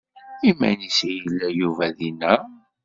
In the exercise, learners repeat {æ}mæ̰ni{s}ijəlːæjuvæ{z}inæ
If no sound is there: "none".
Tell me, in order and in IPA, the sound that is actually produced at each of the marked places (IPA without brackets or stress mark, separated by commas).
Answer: i, s, ð